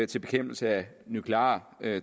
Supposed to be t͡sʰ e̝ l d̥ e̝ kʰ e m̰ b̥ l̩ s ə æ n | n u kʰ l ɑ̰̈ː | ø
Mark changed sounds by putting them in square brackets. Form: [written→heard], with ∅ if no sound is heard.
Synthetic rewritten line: t͡sʰ e̝ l [d̥→b̥] e̝ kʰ e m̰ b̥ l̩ s ə æ [n→∅] | n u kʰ l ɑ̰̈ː | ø